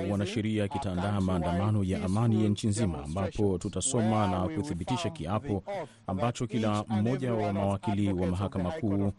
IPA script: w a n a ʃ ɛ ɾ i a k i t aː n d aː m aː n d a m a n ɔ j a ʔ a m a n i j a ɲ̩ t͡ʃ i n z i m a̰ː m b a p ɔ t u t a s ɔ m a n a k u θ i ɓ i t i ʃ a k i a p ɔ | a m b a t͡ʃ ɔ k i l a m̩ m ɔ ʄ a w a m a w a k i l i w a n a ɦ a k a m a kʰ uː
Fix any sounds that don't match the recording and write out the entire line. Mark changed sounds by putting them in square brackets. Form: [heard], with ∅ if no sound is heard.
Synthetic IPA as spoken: w a n a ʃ ɛ ɾ i a k i t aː n d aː m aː n d a m a n ɔ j a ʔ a m a n i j a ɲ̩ t͡ʃ i n z i m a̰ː m b a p ɔ t u t a s ɔ m a n a k u θ i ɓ i t i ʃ a k i a p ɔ | a m b a t͡ʃ ɔ k i l a m̩ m ɔ ʄ a w a m a w a k i l i w a [m] a ɦ a k a m a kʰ uː